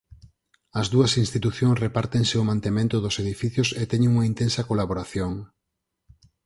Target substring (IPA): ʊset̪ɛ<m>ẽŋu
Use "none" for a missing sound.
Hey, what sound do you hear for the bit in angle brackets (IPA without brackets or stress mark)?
ɲ